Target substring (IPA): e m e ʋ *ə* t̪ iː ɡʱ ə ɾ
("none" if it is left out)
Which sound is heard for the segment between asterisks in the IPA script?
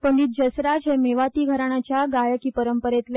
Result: a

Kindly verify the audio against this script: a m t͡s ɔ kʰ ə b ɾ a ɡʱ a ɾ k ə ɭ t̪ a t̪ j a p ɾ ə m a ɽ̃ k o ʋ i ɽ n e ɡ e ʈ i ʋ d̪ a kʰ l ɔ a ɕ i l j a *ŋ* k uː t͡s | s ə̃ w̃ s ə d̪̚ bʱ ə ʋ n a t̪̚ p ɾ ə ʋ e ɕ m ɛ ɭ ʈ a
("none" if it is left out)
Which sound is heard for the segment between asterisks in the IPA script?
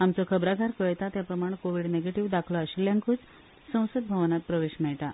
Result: ŋ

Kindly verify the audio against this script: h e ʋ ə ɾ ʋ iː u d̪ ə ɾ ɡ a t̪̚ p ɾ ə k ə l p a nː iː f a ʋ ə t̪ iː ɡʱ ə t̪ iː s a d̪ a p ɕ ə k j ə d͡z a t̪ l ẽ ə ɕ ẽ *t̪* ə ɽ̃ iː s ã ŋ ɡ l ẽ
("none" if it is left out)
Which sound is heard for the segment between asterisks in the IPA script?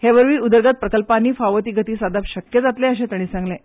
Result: t̪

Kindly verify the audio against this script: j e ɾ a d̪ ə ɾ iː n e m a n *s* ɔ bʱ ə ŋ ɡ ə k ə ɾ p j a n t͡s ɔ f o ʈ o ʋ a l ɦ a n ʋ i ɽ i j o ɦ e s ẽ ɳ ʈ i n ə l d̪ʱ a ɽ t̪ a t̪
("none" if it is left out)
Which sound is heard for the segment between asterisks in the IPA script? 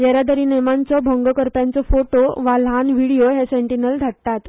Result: t͡s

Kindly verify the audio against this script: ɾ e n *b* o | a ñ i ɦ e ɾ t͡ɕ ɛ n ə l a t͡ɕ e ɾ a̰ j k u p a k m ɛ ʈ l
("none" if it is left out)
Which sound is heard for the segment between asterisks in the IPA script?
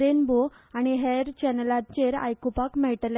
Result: b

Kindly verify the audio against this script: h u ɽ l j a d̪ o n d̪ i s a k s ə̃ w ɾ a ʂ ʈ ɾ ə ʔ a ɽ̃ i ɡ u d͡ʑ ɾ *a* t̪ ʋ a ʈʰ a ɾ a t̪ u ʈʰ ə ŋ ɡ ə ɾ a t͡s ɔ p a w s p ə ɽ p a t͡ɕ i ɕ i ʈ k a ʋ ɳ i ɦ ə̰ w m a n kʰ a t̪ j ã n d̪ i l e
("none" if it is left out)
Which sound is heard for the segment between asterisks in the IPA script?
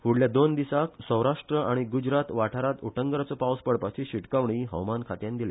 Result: a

